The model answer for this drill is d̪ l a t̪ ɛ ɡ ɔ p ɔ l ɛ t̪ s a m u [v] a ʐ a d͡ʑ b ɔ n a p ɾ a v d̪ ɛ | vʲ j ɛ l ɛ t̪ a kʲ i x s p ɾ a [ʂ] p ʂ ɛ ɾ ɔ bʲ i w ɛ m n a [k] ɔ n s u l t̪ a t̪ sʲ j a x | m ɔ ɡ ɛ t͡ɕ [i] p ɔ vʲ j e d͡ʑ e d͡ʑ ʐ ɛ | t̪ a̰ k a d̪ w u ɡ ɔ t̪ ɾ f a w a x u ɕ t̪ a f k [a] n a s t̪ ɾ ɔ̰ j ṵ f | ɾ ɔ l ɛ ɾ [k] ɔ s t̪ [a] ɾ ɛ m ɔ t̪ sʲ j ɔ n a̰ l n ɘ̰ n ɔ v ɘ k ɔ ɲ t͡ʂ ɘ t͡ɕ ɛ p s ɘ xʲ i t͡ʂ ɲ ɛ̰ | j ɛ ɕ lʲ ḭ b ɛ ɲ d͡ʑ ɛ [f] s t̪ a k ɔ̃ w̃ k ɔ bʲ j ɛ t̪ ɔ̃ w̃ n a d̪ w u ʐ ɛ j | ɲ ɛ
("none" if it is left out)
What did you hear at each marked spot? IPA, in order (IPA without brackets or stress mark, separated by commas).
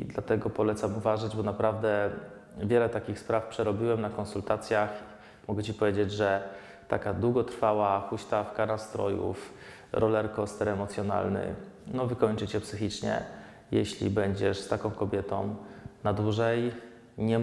v, f, k, i, a, k, ɛ, ʂ